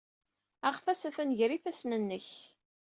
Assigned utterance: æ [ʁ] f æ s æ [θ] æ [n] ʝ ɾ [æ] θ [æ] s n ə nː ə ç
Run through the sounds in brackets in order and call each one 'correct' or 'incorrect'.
correct, correct, correct, incorrect: i, correct

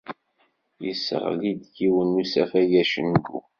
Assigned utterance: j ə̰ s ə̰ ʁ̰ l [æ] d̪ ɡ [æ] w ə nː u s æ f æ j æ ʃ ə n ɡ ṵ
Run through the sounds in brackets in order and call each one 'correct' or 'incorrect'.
incorrect: i, incorrect: i

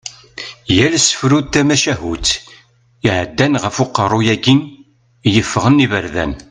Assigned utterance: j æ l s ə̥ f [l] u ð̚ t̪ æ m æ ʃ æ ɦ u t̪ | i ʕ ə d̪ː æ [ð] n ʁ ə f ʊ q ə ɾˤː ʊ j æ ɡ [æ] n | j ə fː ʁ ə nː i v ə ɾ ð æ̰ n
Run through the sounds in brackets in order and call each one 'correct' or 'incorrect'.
incorrect: ɾ, incorrect: none, incorrect: i

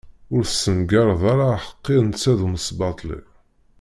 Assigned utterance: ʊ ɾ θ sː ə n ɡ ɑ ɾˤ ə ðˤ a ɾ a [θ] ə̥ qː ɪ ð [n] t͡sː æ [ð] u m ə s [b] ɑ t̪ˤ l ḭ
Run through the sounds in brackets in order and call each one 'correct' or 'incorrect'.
incorrect: ħ, correct, correct, correct

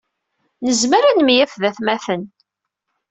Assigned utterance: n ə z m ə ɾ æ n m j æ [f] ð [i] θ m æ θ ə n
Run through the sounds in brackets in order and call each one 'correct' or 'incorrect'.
correct, incorrect: æ

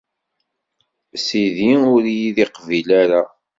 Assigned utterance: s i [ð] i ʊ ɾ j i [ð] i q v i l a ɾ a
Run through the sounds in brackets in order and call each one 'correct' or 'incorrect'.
correct, correct

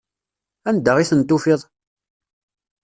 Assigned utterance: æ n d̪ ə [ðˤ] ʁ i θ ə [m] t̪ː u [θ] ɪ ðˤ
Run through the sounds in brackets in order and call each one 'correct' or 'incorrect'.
incorrect: none, incorrect: n, incorrect: f

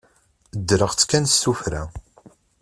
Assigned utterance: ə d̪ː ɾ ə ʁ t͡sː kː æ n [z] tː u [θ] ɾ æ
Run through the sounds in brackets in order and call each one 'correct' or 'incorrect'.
incorrect: s, incorrect: f

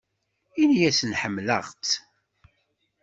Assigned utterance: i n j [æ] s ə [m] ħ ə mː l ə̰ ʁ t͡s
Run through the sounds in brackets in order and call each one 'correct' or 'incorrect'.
correct, incorrect: n

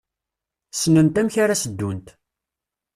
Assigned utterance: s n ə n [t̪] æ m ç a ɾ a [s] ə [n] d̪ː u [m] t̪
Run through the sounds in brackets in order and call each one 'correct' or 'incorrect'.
correct, correct, incorrect: none, incorrect: n

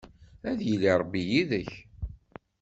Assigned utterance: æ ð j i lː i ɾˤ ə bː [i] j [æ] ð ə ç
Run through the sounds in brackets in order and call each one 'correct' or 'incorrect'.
correct, incorrect: i

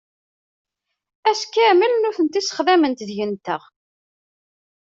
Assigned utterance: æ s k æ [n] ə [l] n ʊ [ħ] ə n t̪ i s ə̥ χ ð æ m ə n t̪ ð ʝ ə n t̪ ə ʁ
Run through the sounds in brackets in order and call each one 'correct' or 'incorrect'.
incorrect: m, correct, incorrect: θ

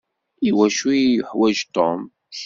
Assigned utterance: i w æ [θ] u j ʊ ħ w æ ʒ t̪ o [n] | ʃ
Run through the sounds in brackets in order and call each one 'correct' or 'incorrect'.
incorrect: ʃ, incorrect: m

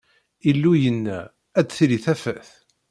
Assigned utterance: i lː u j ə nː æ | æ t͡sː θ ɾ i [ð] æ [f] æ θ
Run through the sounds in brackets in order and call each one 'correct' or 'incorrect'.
incorrect: θ, correct

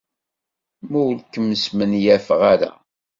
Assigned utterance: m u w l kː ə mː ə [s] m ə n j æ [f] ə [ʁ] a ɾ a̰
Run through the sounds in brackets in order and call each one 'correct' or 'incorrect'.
correct, correct, correct

